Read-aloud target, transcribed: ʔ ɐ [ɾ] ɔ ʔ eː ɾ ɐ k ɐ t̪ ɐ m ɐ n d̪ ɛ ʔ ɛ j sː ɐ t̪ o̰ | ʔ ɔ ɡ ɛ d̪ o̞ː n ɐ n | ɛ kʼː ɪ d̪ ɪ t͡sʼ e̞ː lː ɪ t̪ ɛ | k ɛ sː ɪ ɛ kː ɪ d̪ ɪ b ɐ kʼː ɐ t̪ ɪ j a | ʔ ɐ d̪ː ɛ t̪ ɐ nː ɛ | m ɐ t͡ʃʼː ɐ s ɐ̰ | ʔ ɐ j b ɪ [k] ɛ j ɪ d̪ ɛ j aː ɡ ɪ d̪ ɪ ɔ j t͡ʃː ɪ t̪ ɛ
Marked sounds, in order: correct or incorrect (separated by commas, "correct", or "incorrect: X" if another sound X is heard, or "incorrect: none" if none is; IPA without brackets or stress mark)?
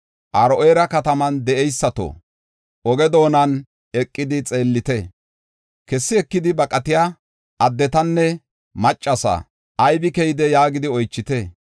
correct, correct